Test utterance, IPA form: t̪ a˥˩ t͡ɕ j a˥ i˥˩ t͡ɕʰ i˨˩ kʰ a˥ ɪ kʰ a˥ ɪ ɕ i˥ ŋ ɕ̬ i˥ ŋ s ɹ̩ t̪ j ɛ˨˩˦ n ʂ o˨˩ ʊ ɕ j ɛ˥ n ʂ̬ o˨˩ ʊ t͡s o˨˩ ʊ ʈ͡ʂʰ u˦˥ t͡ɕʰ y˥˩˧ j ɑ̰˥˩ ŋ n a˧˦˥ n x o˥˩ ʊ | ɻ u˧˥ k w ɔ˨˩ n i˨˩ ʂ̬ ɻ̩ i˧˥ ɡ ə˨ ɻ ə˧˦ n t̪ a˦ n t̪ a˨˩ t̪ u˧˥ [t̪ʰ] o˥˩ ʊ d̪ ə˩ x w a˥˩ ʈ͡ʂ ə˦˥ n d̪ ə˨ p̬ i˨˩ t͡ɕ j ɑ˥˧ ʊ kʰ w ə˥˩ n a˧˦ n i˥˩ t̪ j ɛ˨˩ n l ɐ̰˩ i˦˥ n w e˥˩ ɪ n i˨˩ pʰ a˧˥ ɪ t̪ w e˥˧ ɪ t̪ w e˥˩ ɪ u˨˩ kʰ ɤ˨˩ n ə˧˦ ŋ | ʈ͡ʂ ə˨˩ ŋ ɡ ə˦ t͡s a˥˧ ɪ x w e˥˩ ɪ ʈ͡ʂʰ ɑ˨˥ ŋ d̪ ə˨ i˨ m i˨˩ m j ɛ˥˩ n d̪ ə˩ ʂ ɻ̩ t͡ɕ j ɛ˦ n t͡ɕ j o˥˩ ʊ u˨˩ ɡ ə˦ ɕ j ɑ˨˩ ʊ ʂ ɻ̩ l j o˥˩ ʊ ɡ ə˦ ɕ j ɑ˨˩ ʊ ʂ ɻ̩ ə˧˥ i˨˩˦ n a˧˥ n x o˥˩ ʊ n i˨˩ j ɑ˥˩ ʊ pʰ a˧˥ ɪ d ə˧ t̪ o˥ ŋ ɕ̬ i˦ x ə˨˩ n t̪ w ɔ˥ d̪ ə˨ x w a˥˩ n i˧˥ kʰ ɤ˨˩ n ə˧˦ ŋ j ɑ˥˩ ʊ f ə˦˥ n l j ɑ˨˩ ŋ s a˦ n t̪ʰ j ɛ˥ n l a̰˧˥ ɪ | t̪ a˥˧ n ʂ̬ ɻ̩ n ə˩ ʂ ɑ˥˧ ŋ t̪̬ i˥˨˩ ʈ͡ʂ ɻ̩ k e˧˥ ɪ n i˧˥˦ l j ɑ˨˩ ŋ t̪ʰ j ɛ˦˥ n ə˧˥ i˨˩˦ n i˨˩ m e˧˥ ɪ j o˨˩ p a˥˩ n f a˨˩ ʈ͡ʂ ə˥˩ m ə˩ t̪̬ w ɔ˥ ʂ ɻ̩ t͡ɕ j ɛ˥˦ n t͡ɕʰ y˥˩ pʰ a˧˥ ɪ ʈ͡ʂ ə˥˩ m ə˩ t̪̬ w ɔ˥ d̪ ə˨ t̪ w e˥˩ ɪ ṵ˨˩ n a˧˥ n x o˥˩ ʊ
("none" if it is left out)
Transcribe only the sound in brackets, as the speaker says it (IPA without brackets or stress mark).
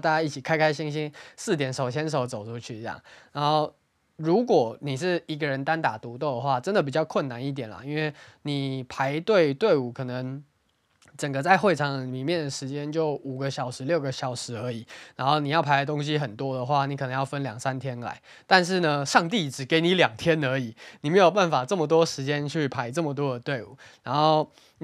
t̪